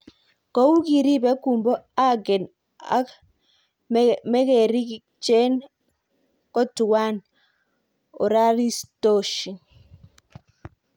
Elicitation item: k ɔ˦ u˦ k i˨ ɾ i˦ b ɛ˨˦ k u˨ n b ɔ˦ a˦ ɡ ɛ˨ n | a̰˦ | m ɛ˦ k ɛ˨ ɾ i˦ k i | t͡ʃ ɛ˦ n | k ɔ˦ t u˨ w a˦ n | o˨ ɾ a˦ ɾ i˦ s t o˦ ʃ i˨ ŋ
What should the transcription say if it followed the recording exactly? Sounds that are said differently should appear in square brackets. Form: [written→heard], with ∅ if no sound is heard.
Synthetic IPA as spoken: k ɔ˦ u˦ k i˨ ɾ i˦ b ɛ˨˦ k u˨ [n→m] b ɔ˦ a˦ ɡ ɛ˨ n | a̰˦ | m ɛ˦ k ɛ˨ ɾ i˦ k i | t͡ʃ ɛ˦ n | k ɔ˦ t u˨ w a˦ n | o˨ ɾ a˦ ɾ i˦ s t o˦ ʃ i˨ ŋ